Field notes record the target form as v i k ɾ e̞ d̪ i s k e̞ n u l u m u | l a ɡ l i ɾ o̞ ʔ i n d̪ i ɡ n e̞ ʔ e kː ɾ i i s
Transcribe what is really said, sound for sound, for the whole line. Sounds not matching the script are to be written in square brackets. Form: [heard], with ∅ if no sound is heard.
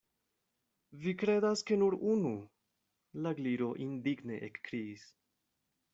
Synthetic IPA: v i k ɾ e̞ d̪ [a] s k e̞ n u [ɾ] u [n] u | l a ɡ l i ɾ o̞ ʔ i n d̪ i ɡ n e̞ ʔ e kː ɾ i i s